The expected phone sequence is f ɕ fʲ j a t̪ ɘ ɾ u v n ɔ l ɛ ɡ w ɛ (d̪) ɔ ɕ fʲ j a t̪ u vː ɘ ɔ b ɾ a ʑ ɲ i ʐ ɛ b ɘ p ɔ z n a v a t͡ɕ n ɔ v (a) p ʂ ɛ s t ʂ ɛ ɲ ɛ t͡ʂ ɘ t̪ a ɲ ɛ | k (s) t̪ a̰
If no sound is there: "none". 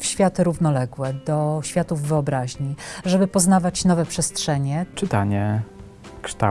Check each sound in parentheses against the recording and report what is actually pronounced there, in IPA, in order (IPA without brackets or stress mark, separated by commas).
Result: d̪, ɛ, ʂ